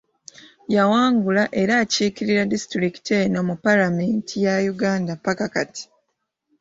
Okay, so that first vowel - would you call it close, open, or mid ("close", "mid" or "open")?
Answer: open